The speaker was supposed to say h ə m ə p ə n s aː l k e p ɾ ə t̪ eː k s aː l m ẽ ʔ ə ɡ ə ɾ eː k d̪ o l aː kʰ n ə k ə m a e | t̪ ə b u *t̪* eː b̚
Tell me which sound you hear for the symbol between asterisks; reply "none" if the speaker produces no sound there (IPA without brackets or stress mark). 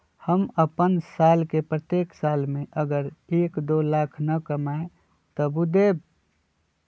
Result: d̪